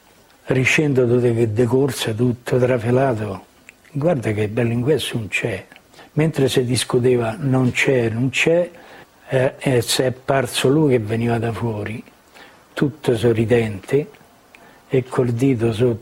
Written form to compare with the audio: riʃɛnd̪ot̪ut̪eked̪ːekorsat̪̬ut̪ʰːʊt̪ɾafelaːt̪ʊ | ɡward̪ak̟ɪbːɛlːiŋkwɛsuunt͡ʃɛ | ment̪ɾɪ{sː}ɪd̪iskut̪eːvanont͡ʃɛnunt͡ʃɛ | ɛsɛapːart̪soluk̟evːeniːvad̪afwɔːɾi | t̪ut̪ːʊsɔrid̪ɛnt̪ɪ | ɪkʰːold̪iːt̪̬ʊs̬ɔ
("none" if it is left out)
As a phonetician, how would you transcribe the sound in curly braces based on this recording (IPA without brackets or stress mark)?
s